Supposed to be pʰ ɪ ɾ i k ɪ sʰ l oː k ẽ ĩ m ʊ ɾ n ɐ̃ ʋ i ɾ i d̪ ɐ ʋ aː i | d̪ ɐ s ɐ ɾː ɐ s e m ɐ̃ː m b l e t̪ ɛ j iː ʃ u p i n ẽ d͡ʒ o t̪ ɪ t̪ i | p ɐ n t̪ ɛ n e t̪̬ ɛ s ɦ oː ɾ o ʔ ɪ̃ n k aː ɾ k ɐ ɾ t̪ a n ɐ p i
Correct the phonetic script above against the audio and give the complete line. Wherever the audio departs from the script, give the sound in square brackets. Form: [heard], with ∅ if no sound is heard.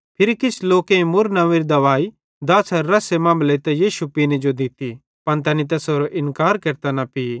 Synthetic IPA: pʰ ɪ ɾ i k ɪ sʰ l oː k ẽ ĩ m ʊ ɾ n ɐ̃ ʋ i ɾ i d̪ ɐ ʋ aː i | d̪ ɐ s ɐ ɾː ɐ s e m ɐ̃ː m b l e t̪ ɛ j iː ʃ u p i n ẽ d͡ʒ o [d̪] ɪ t̪ i | p ɐ n t̪ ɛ n [i] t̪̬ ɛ s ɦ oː ɾ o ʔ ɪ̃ n k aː ɾ k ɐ ɾ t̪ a n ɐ p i